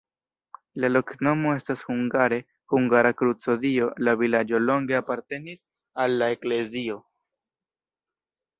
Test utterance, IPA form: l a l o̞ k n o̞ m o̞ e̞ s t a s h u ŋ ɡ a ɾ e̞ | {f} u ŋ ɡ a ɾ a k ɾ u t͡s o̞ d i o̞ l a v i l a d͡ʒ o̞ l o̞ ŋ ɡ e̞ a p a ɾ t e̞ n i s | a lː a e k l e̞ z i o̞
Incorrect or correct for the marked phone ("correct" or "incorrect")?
incorrect